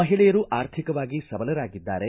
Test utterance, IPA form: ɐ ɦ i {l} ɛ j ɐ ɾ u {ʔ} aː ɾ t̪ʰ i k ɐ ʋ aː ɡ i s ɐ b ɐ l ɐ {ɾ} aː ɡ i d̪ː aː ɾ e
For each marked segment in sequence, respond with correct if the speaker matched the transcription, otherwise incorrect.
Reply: incorrect, correct, correct

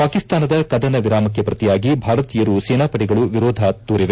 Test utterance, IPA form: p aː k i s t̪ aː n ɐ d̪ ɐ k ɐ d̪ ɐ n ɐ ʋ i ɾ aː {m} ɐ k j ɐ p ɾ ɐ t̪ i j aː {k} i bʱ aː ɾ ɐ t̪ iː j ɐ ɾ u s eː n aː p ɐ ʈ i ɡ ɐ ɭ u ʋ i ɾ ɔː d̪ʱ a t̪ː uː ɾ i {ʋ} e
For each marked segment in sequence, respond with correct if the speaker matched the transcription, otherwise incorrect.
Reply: correct, incorrect, correct

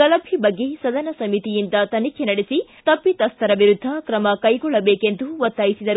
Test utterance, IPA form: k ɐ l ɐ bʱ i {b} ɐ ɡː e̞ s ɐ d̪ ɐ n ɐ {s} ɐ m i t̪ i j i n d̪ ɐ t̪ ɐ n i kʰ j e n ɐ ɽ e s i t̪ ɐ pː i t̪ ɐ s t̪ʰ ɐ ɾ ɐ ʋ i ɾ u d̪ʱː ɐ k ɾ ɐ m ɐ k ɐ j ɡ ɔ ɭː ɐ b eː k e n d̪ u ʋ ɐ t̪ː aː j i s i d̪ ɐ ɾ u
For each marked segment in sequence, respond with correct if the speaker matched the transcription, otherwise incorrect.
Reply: correct, correct

